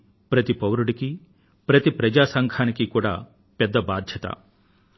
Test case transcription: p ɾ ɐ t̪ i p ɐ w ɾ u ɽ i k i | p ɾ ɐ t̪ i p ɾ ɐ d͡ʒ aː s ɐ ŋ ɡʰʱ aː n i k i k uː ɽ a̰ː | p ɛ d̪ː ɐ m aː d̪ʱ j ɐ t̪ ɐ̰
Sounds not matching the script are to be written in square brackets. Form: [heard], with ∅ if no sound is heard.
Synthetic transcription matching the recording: p ɾ ɐ t̪ i p ɐ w ɾ u ɽ i k i | p ɾ ɐ t̪ i p ɾ ɐ d͡ʒ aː s ɐ ŋ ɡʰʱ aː n i k i k uː ɽ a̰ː | p ɛ d̪ː ɐ [b] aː d̪ʱ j ɐ t̪ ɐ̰